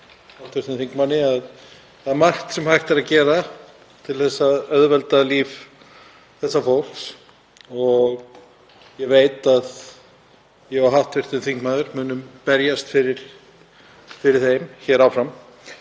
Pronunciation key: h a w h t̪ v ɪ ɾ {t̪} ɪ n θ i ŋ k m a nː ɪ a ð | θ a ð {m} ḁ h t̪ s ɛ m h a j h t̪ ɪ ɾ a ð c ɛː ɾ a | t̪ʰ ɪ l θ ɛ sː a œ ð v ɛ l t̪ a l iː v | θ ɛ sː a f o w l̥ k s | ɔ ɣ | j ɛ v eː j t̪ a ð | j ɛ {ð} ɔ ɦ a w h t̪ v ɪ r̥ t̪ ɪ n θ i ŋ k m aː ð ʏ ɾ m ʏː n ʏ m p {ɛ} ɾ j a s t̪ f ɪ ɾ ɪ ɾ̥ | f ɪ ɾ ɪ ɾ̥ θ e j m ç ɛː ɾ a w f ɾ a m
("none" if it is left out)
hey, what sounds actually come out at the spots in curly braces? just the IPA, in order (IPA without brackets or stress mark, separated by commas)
t̪, m, ɣ, ɛ